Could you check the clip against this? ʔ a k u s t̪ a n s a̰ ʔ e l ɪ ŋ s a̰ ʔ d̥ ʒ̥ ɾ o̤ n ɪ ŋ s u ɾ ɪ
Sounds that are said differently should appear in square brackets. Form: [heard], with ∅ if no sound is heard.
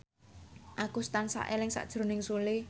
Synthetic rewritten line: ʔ a k u s t̪ a n s a̰ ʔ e l ɪ ŋ s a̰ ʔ d̥ ʒ̥ ɾ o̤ n ɪ ŋ s u [l] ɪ